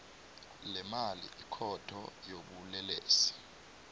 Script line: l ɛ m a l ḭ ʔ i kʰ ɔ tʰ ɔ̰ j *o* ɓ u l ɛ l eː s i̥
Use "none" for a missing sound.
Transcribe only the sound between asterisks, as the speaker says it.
o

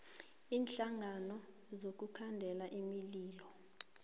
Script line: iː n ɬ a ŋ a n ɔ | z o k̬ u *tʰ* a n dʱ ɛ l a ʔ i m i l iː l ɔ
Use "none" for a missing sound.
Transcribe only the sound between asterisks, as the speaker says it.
kʰ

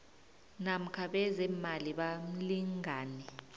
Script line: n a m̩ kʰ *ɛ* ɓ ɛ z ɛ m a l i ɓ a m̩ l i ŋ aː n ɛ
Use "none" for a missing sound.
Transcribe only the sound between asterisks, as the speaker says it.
a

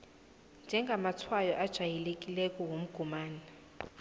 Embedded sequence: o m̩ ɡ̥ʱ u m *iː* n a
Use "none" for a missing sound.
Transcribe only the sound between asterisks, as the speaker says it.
aː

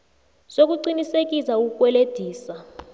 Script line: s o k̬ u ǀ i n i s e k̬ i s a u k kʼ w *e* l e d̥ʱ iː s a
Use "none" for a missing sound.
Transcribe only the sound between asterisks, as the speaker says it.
ɛ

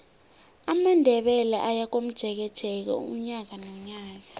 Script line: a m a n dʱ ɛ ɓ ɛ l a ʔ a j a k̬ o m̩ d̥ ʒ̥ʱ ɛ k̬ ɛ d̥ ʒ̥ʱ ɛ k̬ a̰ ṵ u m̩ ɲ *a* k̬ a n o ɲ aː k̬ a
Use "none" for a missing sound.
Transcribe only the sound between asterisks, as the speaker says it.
a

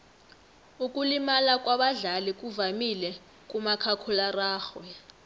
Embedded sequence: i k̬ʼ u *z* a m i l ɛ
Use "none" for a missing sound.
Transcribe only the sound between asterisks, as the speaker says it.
v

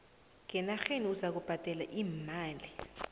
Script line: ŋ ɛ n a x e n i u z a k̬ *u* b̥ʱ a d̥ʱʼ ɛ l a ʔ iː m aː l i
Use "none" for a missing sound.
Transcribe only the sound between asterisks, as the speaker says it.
u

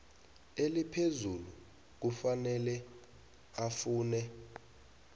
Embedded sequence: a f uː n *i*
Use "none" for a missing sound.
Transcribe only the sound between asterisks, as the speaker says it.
ɛ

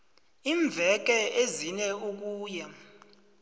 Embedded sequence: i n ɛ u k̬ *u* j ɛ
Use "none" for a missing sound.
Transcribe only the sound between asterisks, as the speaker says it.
uː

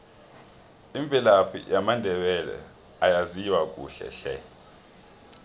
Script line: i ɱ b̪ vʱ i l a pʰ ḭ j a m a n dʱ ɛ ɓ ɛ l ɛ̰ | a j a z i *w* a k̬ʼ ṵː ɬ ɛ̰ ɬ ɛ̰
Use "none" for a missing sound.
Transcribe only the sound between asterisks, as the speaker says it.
w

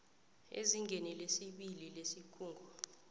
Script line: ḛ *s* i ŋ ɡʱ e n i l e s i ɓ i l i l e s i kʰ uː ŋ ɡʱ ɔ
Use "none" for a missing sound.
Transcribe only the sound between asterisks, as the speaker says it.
z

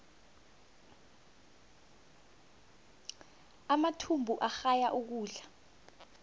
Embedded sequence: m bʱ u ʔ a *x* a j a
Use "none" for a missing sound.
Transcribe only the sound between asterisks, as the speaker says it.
x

